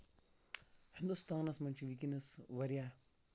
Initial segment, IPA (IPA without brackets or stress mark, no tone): h